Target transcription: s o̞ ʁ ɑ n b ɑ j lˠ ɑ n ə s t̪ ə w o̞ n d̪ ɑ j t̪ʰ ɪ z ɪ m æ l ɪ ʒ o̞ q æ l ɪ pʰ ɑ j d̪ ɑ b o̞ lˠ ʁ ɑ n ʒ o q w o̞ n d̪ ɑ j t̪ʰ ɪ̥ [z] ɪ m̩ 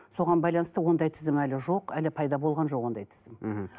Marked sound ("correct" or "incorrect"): correct